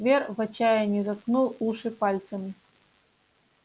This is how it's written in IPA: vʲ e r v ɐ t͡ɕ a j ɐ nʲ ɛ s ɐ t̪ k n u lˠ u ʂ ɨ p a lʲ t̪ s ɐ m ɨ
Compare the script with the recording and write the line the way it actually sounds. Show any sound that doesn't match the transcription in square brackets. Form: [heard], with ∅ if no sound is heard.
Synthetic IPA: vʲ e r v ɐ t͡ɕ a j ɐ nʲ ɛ [z] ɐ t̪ k n u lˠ u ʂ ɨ p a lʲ t̪ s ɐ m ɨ